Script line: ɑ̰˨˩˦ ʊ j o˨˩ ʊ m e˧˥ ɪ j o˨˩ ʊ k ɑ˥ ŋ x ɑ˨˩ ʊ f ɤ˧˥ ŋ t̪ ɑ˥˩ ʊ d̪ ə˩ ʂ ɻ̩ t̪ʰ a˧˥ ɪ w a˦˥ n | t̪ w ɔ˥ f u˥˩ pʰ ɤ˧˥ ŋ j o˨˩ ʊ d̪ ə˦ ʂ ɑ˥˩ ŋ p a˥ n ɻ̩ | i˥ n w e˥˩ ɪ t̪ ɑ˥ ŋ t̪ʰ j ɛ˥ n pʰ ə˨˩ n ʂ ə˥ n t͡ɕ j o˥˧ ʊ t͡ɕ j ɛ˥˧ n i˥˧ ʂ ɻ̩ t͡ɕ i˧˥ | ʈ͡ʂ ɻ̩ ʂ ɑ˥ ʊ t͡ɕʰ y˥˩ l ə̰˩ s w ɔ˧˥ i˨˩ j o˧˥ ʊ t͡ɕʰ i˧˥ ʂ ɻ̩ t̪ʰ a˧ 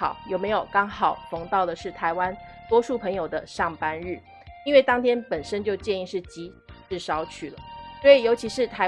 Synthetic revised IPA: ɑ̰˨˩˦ ʊ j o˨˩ ʊ m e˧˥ ɪ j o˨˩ ʊ k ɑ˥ ŋ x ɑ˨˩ ʊ f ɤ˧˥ ŋ t̪ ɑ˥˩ ʊ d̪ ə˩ ʂ ɻ̩ t̪ʰ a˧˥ ɪ w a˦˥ n | t̪ w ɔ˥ ʂ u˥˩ pʰ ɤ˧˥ ŋ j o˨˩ ʊ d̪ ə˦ ʂ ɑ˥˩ ŋ p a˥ n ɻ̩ | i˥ n w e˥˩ ɪ t̪ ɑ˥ ŋ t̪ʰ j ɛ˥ n p ə˨˩ n ʂ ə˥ n t͡ɕ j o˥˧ ʊ t͡ɕ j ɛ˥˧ n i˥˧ ʂ ɻ̩ t͡ɕ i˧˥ | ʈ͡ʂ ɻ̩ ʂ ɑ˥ ʊ t͡ɕʰ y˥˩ l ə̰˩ s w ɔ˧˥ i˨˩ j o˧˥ ʊ t͡ɕʰ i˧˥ ʂ ɻ̩ t̪ʰ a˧